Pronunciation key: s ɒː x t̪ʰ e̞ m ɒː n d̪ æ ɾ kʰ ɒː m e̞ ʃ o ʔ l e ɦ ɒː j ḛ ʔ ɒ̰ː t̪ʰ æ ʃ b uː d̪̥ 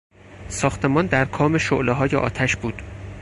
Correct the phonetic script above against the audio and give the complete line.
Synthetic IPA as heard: s ɒː x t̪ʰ e̞ m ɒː n d̪ æ ɾ kʰ ɒː m e̞ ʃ o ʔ l e ɦ ɒː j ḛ ʔ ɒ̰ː t̪ʰ æ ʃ b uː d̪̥